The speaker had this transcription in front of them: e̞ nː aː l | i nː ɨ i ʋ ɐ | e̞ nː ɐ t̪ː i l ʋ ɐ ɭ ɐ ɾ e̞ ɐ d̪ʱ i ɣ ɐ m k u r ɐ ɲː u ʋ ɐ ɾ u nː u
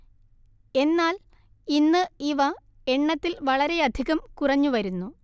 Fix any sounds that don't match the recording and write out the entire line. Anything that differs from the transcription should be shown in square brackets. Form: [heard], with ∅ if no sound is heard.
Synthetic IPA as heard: e̞ nː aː l | i nː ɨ i ʋ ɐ | e̞ [ɳː] ɐ t̪ː i l ʋ ɐ ɭ ɐ ɾ e̞ ɐ d̪ʱ i ɣ ɐ m k u r ɐ ɲː u ʋ ɐ ɾ u nː u